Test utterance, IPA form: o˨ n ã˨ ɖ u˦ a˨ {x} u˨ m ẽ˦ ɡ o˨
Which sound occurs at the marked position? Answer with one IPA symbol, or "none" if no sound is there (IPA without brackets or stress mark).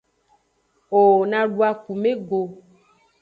k